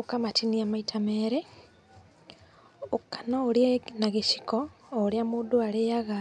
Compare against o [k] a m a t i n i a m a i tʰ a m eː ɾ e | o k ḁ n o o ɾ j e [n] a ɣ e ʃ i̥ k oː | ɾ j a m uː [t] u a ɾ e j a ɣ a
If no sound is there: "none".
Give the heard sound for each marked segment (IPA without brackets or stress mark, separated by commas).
k, n, d